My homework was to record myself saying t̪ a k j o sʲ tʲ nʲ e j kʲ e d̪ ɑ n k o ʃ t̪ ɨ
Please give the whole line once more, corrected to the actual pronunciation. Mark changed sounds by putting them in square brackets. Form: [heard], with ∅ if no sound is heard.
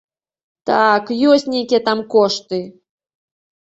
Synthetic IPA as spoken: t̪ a k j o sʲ tʲ nʲ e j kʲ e [t̪] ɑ [m] k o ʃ t̪ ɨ